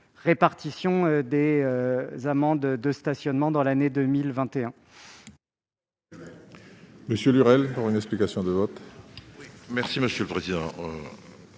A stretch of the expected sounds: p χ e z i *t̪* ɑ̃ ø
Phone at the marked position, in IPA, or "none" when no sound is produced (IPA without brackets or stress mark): d̪